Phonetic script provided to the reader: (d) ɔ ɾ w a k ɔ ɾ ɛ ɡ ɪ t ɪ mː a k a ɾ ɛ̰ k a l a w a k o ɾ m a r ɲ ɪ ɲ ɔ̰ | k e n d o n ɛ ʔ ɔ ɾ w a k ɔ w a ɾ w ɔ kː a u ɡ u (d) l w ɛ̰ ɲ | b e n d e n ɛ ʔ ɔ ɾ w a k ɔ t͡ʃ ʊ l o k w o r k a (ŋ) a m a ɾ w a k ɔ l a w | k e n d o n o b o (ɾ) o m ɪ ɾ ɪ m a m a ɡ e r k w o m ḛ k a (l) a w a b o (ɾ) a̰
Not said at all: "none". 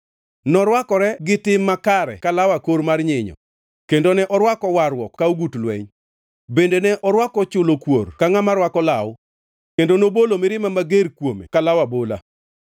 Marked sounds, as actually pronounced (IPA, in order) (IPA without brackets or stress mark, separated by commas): n, t, ŋ, l, l, l